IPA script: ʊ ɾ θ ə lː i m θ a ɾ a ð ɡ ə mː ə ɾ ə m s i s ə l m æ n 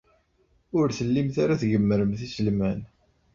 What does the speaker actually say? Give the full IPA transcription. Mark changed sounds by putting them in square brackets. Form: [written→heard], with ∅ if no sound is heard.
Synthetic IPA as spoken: ʊ ɾ θ ə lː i m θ a ɾ a [ð→θ] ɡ ə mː ə ɾ ə m [s→θ] i s ə l m æ n